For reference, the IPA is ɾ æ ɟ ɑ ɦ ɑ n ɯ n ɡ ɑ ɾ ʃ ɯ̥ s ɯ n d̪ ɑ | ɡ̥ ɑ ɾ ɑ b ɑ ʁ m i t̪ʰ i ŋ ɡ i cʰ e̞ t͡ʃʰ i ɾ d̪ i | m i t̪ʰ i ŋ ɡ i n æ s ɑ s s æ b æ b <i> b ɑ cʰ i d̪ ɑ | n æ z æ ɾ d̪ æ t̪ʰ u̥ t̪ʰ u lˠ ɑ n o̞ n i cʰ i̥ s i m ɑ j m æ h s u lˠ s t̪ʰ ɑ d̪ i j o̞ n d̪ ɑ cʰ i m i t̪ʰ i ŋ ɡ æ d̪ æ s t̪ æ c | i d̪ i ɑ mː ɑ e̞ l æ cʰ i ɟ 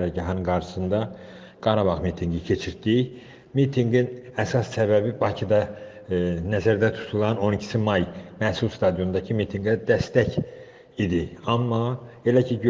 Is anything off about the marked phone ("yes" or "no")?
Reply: no